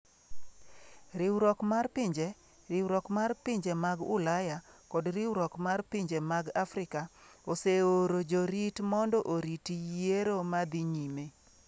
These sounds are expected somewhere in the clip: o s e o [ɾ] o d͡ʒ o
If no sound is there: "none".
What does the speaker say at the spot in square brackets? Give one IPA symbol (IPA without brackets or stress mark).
ɾ